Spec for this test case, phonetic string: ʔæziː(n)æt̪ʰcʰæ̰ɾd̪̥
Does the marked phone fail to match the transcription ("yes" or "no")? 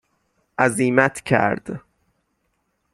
yes